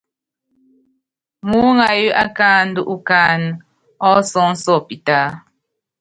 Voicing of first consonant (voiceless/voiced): voiced